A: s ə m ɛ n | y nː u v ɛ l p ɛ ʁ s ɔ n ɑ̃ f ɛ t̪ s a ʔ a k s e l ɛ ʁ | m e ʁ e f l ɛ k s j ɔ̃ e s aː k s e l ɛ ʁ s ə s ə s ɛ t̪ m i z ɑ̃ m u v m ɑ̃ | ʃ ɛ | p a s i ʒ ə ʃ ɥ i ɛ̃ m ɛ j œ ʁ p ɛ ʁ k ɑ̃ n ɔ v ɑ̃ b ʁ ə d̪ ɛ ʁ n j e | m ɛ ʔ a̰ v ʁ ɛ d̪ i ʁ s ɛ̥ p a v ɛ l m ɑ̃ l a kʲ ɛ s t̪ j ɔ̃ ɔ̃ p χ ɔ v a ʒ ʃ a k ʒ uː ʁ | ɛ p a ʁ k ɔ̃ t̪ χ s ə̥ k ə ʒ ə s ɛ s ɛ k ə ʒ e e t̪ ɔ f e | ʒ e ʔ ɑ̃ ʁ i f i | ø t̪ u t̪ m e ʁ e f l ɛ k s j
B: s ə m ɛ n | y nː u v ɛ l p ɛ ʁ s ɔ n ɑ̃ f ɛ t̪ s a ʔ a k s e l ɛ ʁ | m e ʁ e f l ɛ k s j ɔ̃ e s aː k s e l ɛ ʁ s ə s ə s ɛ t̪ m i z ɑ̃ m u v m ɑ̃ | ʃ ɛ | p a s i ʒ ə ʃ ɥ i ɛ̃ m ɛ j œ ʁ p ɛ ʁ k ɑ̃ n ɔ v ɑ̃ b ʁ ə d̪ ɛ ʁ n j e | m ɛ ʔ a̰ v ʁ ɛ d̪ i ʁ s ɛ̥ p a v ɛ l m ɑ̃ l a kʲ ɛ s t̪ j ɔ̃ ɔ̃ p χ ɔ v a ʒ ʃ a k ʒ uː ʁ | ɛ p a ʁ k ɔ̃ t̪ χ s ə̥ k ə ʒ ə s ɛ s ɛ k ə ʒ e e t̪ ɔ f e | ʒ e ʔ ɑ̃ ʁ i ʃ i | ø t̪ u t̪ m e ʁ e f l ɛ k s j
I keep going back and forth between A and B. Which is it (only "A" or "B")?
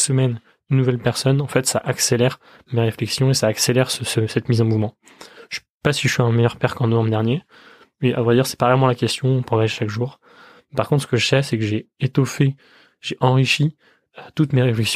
B